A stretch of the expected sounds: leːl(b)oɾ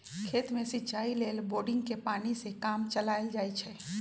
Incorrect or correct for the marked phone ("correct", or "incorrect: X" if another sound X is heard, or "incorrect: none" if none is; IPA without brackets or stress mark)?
correct